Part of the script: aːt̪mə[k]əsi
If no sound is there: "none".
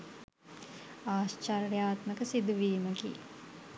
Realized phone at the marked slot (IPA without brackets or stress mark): k